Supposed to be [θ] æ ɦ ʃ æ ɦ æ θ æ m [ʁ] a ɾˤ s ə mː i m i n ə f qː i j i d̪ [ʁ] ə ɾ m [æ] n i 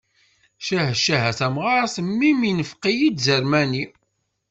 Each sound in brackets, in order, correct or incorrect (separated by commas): incorrect, correct, incorrect, correct